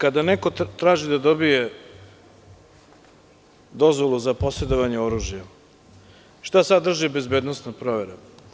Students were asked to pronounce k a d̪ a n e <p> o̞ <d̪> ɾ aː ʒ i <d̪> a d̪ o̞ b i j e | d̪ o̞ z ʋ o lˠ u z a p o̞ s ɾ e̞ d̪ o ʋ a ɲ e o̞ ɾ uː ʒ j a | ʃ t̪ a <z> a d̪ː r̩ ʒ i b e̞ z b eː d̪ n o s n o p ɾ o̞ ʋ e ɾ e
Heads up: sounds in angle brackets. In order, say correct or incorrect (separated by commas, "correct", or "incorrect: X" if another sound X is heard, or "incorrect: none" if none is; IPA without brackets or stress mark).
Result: incorrect: k, incorrect: t̪, correct, incorrect: s